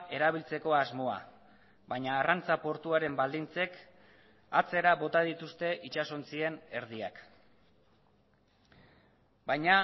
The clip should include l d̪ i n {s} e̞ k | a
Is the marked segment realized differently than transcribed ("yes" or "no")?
yes